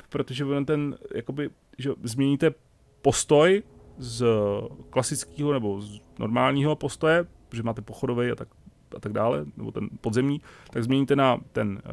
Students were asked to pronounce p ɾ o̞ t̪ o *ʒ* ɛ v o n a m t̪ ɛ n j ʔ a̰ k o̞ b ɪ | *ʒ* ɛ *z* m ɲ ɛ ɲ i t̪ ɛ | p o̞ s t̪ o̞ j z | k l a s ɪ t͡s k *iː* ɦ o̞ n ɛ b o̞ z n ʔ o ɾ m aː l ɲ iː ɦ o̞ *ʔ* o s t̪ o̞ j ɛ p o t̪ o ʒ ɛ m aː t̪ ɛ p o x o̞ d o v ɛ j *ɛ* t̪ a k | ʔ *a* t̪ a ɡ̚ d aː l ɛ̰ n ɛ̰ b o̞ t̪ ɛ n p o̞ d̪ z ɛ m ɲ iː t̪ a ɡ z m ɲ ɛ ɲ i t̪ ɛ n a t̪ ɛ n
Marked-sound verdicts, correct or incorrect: correct, correct, correct, correct, incorrect: p, incorrect: a, correct

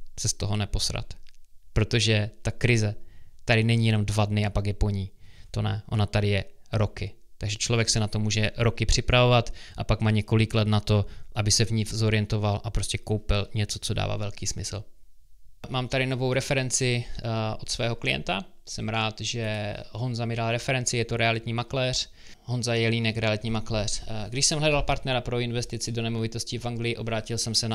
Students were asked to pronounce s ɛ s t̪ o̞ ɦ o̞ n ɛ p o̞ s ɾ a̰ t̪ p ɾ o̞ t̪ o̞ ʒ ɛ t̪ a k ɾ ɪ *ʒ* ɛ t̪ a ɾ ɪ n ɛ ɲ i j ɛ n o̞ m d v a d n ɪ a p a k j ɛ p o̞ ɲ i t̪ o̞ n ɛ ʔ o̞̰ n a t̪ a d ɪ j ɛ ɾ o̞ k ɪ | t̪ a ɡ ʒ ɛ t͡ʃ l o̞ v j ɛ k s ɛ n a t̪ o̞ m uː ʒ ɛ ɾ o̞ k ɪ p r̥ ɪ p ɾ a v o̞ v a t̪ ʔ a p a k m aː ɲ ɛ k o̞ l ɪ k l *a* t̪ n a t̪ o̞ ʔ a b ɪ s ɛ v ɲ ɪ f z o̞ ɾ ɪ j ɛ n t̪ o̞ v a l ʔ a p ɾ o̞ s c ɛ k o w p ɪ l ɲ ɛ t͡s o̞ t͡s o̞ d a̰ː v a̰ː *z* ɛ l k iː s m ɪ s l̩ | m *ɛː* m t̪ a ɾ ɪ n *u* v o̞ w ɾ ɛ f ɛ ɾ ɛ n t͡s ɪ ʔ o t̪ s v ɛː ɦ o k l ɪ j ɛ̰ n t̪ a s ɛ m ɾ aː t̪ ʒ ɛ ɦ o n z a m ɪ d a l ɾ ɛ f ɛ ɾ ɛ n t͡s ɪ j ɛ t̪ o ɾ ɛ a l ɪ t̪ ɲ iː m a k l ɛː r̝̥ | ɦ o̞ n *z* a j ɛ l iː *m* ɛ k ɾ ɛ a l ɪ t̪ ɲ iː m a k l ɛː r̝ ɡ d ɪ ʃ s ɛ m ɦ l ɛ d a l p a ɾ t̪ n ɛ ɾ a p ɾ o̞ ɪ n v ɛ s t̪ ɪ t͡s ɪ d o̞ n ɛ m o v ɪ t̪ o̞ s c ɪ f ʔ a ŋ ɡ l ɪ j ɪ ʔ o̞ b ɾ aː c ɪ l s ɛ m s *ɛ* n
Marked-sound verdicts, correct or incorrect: incorrect: z, incorrect: ɛ, incorrect: v, incorrect: aː, incorrect: o, correct, incorrect: n, correct

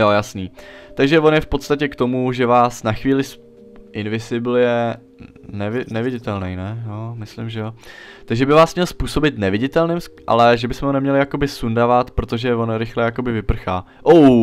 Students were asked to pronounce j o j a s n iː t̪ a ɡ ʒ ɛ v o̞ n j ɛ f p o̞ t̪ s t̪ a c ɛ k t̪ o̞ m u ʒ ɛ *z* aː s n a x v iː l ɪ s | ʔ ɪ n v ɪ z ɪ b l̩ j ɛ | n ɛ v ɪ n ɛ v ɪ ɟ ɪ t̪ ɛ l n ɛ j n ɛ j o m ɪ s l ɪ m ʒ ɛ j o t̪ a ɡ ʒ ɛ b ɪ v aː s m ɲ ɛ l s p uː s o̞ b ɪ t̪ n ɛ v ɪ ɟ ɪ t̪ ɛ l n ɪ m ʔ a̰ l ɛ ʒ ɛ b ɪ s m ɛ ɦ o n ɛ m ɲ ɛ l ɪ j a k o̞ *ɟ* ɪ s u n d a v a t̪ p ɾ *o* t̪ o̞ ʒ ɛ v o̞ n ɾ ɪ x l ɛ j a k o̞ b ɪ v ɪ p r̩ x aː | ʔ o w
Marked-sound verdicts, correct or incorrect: incorrect: v, incorrect: b, correct

